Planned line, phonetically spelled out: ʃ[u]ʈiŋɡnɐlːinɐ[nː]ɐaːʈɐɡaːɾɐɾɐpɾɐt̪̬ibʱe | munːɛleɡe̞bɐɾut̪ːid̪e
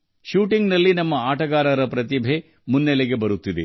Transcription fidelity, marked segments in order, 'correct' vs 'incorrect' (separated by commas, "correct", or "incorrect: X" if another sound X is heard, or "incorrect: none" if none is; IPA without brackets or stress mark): incorrect: uː, incorrect: mː